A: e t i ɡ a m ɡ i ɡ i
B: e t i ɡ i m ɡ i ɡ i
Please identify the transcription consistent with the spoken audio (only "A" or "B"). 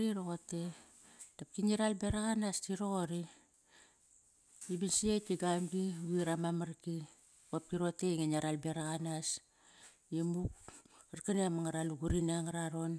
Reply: A